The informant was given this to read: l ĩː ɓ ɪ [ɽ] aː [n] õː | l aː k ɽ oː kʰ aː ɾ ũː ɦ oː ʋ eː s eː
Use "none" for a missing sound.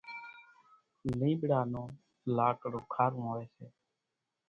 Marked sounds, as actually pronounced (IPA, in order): ɽ, n

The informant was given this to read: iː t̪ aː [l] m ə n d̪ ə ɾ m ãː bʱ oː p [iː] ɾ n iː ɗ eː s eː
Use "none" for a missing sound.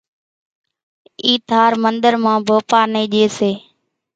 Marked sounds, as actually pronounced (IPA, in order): ɾ, aː

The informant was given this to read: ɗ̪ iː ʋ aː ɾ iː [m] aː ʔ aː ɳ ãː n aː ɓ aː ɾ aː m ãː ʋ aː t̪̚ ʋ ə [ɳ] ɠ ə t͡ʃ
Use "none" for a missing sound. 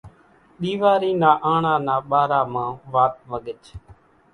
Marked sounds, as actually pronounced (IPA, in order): n, none

